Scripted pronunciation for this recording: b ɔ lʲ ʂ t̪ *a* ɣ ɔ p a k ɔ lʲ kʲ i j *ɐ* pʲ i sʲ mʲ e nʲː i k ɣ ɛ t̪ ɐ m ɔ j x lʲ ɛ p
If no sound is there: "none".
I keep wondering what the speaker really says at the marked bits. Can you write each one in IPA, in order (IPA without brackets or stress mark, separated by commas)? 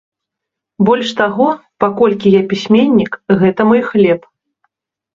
a, a